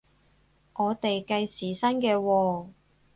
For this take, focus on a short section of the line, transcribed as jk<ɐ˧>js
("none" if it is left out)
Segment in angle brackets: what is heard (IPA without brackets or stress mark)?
ɐ˧